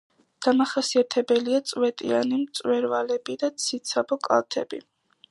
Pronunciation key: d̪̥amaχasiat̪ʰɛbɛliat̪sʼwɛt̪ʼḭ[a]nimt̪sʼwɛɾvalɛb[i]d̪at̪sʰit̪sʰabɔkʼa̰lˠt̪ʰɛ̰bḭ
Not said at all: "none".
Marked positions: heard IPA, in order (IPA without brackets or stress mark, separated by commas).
a, i